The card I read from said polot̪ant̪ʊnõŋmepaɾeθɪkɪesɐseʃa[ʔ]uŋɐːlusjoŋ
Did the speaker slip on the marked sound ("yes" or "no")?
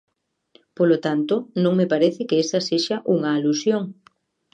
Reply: no